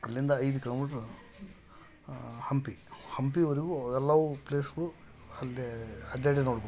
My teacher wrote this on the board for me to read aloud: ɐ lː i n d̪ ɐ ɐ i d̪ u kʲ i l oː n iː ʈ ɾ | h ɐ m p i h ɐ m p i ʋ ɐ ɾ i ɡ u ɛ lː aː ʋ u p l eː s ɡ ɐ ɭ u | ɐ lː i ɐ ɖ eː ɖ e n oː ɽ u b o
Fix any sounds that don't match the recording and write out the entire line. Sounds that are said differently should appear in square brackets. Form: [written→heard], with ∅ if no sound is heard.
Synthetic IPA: ɐ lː i n d̪ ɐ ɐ [i→j] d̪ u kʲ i l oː [n→m] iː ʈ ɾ | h ɐ m p i h ɐ m p i ʋ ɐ ɾ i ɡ u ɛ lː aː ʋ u p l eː s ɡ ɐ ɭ u | ɐ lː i ɐ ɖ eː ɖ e n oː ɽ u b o